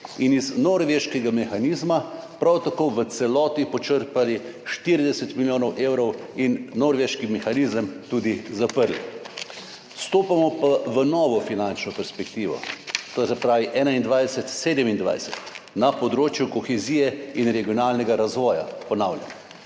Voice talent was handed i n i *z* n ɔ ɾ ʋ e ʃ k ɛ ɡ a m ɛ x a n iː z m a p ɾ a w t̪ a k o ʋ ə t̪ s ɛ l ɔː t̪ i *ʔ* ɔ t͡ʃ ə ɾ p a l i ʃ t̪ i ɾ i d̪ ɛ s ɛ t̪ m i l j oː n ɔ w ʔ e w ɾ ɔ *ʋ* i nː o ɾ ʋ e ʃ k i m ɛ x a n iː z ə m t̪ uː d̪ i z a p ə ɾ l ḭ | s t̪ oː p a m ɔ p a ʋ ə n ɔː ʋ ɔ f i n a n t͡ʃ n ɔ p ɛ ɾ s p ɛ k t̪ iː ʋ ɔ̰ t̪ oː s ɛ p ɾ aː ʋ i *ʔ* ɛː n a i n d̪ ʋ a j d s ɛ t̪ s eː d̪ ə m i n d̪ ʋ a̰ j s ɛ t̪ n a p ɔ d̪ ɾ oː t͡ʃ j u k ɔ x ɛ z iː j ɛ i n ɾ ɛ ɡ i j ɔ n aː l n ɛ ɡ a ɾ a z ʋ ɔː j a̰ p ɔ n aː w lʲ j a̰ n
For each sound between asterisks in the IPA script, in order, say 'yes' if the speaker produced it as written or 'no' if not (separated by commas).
yes, no, no, yes